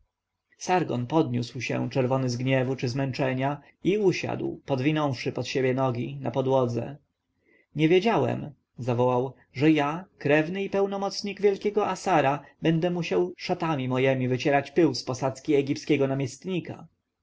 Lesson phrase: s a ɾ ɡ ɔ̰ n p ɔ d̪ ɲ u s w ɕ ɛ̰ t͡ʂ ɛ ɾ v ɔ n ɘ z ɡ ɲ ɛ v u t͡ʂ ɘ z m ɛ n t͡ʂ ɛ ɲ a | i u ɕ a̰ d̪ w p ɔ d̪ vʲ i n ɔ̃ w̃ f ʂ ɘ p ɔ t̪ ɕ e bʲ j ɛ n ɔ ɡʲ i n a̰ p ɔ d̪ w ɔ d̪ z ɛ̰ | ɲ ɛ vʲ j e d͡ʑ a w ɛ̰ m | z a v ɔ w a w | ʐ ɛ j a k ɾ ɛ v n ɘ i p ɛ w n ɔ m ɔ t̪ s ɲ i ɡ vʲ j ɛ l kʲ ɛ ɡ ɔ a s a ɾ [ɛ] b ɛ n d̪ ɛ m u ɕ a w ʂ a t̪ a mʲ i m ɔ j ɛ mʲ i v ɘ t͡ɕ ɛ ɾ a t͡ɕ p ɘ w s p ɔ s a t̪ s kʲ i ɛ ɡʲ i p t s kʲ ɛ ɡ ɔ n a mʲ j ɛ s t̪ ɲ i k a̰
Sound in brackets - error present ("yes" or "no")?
yes